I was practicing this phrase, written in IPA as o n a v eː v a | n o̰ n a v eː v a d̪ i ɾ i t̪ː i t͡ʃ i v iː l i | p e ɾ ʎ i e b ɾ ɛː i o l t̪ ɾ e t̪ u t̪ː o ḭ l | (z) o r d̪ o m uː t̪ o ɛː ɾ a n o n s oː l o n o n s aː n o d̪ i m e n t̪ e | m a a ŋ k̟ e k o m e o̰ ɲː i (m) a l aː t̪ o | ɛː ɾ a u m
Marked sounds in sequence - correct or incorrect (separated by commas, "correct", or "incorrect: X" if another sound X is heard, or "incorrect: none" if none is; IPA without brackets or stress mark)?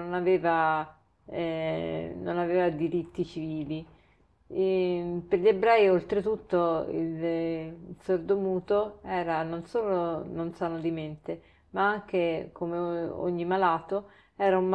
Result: incorrect: s, correct